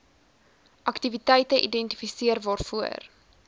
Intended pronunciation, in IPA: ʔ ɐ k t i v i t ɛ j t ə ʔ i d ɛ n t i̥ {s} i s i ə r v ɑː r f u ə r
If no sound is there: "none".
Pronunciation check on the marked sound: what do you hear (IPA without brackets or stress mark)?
f